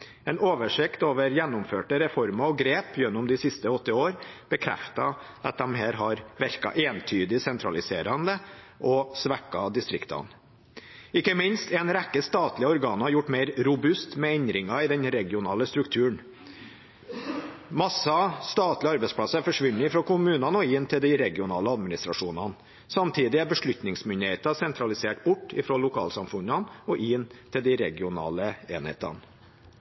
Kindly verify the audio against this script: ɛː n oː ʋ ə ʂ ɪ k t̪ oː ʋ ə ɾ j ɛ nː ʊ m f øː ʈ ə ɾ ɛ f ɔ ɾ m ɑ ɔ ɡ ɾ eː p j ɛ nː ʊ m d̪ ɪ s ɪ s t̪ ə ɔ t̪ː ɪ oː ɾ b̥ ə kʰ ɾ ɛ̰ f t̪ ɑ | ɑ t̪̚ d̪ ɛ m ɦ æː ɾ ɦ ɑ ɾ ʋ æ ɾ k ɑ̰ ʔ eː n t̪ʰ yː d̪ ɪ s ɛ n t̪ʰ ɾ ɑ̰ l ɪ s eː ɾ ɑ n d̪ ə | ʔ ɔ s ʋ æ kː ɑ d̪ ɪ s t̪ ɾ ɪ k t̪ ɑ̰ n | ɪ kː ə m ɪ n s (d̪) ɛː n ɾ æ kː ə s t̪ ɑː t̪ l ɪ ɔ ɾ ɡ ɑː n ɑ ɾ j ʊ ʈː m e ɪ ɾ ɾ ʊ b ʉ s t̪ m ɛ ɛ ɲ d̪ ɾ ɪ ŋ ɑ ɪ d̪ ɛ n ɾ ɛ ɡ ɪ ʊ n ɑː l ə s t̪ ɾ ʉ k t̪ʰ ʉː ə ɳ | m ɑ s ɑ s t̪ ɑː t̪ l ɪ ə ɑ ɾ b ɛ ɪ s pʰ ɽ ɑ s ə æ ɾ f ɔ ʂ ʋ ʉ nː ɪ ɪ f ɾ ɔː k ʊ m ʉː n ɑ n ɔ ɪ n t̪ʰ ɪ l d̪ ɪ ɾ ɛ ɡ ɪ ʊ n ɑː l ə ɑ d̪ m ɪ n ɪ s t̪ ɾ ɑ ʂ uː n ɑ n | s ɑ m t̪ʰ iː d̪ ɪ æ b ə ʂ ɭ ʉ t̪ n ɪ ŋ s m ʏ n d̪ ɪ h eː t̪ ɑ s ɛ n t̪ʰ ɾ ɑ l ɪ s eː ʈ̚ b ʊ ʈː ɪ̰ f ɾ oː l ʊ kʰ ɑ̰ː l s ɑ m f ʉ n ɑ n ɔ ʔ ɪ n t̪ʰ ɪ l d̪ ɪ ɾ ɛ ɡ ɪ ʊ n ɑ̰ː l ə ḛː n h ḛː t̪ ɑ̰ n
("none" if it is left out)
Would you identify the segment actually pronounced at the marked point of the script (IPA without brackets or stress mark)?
t̪